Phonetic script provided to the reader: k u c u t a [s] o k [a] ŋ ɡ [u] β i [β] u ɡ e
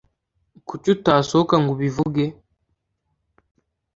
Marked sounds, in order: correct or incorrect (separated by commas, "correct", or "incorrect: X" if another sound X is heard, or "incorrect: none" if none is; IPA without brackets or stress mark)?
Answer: correct, correct, correct, incorrect: v